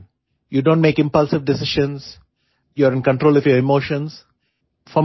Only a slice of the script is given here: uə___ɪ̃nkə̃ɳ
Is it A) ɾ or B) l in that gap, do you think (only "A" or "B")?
A